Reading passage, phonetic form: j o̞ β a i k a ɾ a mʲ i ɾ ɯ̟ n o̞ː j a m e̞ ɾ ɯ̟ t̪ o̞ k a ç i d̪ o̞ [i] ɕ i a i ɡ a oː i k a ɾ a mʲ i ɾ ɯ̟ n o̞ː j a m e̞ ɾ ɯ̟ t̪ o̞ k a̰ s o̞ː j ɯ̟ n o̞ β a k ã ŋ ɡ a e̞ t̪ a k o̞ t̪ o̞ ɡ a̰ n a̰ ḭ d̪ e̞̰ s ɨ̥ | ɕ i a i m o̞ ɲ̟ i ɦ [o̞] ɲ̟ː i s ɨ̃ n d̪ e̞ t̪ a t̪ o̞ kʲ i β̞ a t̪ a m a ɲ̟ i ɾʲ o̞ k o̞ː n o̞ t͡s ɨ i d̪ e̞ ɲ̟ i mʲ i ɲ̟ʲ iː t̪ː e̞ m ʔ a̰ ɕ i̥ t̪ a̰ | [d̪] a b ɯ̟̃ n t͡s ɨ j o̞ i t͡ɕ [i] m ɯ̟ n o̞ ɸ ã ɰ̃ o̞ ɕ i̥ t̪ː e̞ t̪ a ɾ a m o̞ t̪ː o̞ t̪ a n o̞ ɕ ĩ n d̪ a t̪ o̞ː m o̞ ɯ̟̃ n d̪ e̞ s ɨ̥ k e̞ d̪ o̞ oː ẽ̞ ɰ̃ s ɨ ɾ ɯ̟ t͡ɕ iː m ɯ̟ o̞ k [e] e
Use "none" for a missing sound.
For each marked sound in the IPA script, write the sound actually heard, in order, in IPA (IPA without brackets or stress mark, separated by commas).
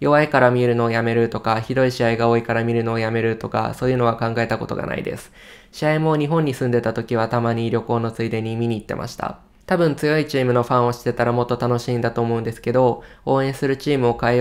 i, õ̞, t̪, iː, a